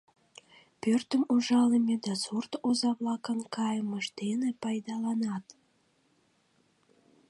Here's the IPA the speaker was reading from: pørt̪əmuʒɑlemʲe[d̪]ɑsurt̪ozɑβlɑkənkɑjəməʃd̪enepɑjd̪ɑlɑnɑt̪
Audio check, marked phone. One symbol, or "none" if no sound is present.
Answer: d̪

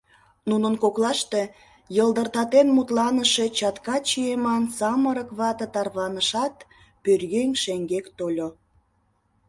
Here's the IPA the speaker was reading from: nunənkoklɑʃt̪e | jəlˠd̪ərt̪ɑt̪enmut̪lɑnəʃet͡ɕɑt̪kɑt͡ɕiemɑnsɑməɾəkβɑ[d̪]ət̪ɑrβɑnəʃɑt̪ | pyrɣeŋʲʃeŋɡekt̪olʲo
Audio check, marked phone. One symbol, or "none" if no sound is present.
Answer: t̪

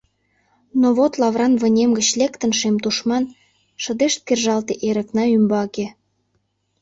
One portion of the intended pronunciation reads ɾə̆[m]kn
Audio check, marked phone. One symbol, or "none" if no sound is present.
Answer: none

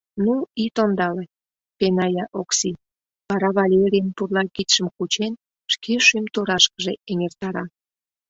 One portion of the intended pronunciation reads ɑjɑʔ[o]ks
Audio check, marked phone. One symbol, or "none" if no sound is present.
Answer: o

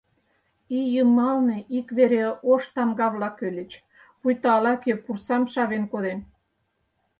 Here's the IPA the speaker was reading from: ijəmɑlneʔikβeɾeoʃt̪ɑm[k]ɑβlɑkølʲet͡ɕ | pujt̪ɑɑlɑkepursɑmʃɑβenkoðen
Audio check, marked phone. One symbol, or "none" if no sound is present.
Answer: ɡ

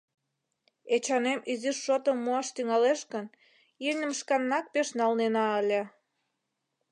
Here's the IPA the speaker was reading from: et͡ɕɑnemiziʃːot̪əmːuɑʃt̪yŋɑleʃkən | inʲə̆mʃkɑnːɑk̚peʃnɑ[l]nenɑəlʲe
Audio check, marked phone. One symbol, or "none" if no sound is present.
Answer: l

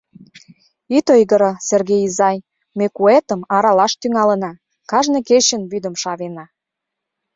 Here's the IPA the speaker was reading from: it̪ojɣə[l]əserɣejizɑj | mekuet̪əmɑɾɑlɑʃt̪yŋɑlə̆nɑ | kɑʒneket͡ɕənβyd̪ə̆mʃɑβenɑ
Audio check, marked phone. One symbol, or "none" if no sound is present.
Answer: ɾ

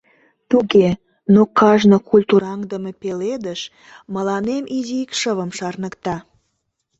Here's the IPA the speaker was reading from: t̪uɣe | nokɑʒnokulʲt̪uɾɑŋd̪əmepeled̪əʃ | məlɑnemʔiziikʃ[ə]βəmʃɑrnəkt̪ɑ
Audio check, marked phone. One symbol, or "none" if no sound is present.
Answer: ə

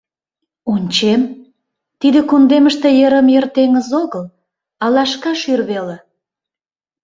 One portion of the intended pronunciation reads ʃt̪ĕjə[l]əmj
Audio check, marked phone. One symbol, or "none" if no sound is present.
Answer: ɾ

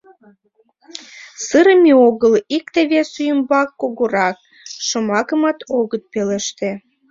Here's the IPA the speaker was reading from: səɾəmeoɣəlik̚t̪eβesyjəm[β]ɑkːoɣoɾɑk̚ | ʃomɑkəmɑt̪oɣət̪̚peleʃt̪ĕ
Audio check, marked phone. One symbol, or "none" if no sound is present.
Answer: b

